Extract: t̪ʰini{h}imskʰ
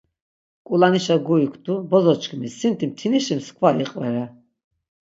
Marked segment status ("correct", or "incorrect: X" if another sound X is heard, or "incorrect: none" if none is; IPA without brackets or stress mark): incorrect: ʃ